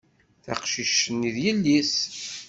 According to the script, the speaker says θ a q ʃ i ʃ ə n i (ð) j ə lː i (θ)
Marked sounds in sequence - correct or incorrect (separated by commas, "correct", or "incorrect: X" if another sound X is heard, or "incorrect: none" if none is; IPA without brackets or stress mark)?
correct, incorrect: s